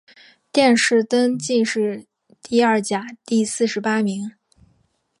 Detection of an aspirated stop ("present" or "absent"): absent